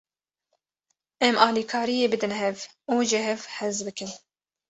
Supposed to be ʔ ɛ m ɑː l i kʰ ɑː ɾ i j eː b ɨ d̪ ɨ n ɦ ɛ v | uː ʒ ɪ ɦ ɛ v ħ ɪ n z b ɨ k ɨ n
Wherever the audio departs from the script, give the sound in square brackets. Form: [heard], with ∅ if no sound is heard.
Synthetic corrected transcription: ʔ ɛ m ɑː l i kʰ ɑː ɾ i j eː b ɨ d̪ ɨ n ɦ ɛ v | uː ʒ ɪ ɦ ɛ v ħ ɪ [∅] z b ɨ k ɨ n